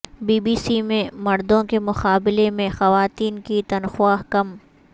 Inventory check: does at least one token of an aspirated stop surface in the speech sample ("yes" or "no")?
no